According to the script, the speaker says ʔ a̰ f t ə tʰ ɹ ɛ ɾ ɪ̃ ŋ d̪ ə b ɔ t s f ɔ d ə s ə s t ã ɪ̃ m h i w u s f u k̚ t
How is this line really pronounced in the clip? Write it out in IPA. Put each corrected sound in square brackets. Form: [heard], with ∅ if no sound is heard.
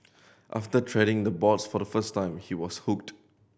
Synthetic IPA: ʔ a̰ f t ə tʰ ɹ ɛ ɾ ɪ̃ ŋ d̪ ə b ɔ t s f ɔ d ə [f] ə s t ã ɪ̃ m h i w [ɔ] s [h] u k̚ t